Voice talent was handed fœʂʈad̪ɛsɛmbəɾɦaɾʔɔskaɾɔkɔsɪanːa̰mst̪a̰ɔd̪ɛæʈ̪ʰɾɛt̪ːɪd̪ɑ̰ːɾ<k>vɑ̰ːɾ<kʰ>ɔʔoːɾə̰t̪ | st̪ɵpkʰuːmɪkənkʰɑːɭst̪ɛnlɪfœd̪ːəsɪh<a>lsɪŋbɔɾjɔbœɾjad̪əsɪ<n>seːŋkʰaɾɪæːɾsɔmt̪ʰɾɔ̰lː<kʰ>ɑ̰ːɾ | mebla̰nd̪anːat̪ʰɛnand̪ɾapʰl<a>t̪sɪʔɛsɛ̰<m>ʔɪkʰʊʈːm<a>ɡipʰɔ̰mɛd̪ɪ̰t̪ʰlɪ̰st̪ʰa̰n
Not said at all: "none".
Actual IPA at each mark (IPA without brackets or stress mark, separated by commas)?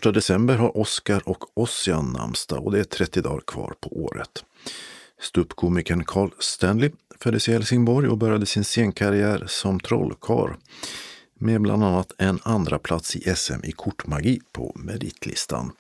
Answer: kʰ, pʰ, ɛ, n, kʰ, a, m, a